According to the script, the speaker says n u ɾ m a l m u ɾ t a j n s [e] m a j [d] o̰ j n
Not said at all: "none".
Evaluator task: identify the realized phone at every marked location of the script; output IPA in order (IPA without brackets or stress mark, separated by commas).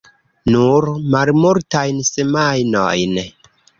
e, n